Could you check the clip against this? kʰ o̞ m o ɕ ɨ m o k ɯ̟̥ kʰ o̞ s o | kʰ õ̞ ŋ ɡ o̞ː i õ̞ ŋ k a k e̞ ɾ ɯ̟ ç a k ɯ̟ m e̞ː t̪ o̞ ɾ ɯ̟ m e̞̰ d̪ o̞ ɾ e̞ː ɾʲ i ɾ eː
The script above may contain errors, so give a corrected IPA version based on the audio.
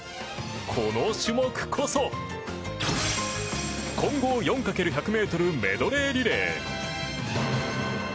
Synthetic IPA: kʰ o̞ n o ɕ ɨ m o k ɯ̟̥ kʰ o̞ s o | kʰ õ̞ ŋ ɡ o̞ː j õ̞ ŋ k a k e̞ ɾ ɯ̟ ç a k ɯ̟ m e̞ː t̪ o̞ ɾ ɯ̟ m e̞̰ d̪ o̞ ɾ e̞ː ɾʲ i ɾ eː